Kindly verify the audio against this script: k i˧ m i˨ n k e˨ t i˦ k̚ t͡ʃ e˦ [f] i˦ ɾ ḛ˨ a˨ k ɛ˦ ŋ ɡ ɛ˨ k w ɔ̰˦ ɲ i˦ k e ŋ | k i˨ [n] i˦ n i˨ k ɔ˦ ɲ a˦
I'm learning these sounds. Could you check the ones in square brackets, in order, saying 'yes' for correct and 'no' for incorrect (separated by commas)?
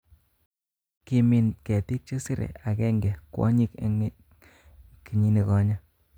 no, no